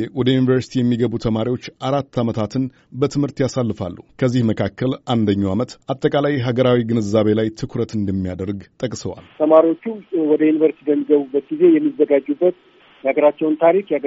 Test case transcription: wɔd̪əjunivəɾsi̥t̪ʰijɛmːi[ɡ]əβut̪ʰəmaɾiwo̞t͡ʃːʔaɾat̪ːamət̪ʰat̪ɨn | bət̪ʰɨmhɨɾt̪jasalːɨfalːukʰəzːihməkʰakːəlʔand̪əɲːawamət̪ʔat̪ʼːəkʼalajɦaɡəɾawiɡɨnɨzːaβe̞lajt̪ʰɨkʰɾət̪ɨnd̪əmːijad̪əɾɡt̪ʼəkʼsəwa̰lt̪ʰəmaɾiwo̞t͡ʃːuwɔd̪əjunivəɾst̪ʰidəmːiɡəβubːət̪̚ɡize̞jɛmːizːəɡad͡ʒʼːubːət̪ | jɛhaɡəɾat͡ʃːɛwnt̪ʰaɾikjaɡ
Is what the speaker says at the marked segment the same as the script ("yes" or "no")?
yes